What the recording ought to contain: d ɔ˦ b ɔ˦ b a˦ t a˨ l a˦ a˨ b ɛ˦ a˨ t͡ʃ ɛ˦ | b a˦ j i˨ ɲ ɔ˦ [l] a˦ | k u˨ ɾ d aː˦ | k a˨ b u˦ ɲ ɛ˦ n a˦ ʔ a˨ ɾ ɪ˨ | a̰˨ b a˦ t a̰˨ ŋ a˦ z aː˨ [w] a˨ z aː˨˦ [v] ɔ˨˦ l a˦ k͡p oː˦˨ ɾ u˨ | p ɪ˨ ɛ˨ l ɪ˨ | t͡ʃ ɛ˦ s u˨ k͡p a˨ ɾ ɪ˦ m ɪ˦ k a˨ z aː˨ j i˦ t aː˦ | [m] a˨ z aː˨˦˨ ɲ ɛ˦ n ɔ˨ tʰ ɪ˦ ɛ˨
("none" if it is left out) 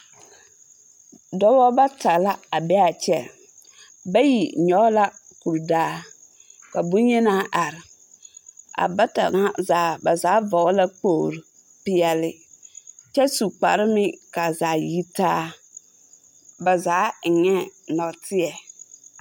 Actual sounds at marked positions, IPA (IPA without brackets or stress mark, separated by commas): l, b, v, b